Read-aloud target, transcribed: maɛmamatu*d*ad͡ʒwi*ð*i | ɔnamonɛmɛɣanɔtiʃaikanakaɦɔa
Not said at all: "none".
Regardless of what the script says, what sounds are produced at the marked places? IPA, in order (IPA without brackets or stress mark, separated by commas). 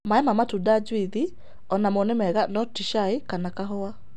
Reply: d, ð